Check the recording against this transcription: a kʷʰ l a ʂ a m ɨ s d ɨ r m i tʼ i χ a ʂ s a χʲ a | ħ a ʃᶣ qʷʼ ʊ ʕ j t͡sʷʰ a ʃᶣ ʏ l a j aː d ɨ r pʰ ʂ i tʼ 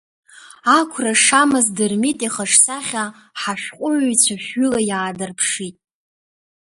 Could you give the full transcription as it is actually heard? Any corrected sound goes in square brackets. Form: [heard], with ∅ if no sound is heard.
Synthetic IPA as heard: a kʷʰ [r] a ʂ a m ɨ [z] d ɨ r m i tʼ i χ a ʂ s a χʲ a | ħ a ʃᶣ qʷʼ ʊ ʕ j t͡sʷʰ a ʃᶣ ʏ l a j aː d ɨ r pʰ ʂ i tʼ